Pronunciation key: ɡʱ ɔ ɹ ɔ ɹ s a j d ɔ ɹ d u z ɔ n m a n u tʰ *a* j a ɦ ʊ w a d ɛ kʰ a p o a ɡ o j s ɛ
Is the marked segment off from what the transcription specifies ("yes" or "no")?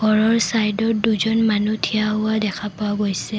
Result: yes